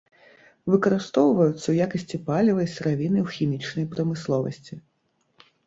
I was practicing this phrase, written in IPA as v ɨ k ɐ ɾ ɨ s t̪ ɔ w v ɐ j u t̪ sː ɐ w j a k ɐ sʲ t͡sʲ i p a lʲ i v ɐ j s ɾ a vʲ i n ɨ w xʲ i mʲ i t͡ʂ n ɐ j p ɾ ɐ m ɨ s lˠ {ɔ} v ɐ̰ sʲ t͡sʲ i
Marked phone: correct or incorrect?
correct